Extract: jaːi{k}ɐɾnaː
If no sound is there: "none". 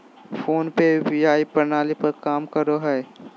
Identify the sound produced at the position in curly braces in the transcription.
p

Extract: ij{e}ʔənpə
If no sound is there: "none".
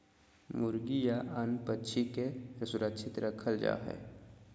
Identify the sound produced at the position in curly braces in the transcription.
a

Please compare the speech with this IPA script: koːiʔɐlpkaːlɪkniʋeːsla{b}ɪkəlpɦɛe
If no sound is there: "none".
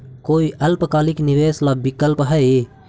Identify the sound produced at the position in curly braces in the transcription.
b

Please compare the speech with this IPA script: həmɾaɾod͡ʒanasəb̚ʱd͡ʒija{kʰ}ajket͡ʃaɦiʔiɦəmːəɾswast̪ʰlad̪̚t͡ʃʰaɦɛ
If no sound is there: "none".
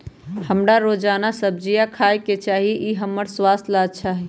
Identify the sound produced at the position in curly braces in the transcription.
kʰ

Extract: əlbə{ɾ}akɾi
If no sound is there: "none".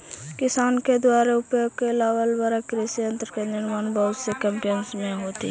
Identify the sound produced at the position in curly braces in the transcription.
ɾ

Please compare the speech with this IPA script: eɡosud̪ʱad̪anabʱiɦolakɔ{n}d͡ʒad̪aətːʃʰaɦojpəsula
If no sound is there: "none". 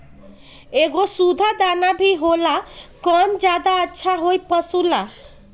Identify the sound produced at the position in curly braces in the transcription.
n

